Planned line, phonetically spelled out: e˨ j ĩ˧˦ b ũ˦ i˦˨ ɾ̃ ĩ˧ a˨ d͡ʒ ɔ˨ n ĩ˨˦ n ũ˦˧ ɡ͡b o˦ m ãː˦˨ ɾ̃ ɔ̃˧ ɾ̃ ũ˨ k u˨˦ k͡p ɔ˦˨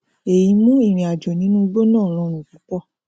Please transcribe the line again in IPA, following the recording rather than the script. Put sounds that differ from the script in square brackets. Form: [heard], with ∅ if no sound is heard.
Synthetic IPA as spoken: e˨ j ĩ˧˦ [m] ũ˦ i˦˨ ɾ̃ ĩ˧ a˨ d͡ʒ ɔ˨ n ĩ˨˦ n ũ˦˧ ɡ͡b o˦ [n] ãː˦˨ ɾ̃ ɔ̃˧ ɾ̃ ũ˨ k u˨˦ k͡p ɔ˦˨